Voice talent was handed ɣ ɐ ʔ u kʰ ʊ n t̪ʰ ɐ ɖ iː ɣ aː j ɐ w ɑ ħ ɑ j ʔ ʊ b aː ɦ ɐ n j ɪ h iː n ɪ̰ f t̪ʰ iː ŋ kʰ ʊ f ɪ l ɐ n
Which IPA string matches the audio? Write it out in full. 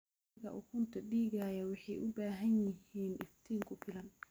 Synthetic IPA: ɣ ɐ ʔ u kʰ ʊ n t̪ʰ ɐ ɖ iː ɣ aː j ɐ w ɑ ħ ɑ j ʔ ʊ b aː ɦ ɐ n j ɪ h iː n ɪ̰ f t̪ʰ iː ŋ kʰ ʊ f ɪ l ɐ n